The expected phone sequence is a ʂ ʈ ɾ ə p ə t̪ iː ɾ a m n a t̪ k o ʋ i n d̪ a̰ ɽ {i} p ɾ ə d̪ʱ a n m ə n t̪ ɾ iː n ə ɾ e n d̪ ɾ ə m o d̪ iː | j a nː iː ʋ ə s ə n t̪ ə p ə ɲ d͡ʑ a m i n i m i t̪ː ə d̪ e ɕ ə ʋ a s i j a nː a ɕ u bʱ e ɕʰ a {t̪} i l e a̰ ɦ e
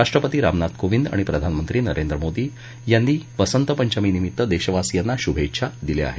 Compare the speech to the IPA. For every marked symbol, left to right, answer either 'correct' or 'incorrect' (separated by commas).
correct, incorrect